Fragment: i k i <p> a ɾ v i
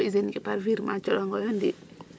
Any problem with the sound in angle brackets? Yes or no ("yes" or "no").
no